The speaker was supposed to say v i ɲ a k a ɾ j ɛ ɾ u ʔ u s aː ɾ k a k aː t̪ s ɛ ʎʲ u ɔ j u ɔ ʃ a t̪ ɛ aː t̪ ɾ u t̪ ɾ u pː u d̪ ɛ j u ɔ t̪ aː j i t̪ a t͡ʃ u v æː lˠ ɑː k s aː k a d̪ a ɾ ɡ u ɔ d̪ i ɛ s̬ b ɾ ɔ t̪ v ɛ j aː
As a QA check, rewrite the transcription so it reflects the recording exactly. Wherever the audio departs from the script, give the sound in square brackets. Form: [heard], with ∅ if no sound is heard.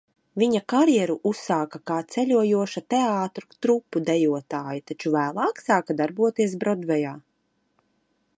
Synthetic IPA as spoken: v i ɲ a k a ɾ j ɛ ɾ u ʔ u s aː [∅] k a k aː t̪ s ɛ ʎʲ u ɔ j u ɔ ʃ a t̪ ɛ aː t̪ ɾ u t̪ ɾ u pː u d̪ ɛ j u ɔ t̪ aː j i t̪ a t͡ʃ u v æː lˠ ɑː k s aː k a d̪ a ɾ [b] u ɔ [t̪] i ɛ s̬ b ɾ ɔ [d̪] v ɛ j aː